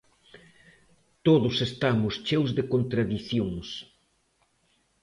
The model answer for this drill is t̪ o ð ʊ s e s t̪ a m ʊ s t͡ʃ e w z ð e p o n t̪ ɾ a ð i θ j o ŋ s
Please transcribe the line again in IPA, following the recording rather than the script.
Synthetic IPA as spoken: t̪ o ð ʊ s e s t̪ a m ʊ s t͡ʃ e w z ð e k o n t̪ ɾ a ð i θ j o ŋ s